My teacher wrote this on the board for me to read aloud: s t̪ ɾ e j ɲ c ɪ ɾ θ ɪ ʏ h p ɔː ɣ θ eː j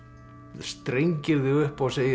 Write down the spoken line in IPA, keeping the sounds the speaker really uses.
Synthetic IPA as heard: s t̪ ɾ e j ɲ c ɪ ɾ ð ɪ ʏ h p ɔ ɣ s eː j